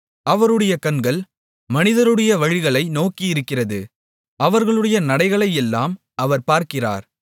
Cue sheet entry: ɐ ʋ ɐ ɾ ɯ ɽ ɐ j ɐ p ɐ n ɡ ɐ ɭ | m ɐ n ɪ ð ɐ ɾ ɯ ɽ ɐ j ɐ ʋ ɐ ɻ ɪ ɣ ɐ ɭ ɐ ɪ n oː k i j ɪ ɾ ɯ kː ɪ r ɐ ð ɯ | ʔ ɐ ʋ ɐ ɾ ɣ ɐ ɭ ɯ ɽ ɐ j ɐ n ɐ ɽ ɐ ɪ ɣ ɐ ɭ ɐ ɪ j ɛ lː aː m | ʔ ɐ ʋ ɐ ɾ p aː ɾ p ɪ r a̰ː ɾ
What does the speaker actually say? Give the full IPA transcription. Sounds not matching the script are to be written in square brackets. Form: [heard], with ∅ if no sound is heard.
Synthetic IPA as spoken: ɐ ʋ ɐ ɾ ɯ ɽ ɐ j ɐ [k] ɐ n ɡ ɐ ɭ | m ɐ n ɪ ð ɐ ɾ ɯ ɽ ɐ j ɐ ʋ ɐ ɻ ɪ ɣ ɐ ɭ ɐ ɪ n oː k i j ɪ ɾ ɯ kː ɪ r ɐ ð ɯ | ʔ ɐ ʋ ɐ ɾ ɣ ɐ ɭ ɯ ɽ ɐ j ɐ n ɐ ɽ ɐ ɪ ɣ ɐ ɭ ɐ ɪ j ɛ lː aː m | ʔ ɐ ʋ ɐ ɾ p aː ɾ [k] ɪ r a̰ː ɾ